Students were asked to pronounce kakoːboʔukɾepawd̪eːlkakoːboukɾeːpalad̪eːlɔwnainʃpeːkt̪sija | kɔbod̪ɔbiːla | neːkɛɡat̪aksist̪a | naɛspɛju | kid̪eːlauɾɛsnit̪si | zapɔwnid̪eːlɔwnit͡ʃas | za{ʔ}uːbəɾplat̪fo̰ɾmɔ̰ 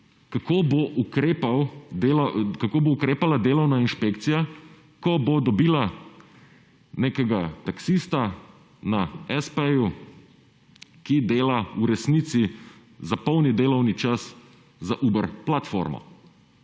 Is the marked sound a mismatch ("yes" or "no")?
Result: no